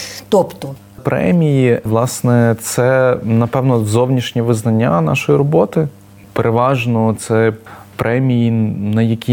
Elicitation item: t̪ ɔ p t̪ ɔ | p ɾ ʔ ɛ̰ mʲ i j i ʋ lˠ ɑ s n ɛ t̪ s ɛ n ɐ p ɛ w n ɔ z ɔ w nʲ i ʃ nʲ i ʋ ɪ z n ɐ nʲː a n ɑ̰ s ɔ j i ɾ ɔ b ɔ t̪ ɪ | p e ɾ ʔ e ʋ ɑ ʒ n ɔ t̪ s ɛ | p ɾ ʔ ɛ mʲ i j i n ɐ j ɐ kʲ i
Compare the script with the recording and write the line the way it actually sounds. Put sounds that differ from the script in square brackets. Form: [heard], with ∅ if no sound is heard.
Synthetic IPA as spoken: t̪ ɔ p t̪ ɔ | p ɾ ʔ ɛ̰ mʲ i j i ʋ lˠ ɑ s n ɛ t̪ s ɛ n ɐ p ɛ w n ɔ z ɔ w nʲ i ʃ nʲ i ʋ ɪ z n ɐ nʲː a n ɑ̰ [ʃ] ɔ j i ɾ ɔ b ɔ t̪ ɪ | p e ɾ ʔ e ʋ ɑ ʒ n ɔ t̪ s ɛ | p ɾ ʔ ɛ mʲ i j i n ɐ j ɐ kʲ i